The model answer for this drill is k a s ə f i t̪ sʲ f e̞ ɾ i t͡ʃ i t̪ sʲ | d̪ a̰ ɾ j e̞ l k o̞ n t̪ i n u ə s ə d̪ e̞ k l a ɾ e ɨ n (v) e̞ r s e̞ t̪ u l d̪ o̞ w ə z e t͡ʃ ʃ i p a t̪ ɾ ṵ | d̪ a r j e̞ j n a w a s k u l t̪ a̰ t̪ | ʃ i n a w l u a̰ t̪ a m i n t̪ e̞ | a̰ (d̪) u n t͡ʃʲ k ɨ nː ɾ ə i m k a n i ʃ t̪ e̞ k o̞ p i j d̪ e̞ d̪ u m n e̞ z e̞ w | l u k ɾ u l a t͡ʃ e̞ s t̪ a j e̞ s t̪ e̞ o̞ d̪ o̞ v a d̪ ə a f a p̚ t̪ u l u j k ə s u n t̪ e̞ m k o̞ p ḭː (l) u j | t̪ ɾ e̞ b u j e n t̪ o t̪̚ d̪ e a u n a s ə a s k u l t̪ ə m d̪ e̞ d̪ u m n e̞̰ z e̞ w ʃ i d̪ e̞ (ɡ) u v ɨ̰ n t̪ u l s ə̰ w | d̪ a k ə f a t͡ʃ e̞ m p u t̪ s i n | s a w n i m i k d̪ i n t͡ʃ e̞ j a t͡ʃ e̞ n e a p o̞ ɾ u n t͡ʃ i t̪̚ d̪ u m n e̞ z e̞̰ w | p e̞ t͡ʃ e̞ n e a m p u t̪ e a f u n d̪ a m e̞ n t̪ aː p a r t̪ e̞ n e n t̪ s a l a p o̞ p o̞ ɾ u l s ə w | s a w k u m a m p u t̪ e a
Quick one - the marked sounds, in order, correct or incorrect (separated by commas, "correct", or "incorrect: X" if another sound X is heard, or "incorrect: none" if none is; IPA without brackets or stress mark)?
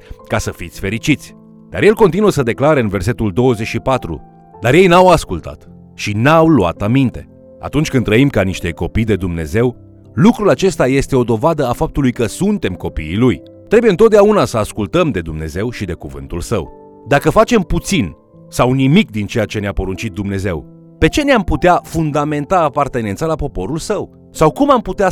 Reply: correct, incorrect: t̪, correct, incorrect: k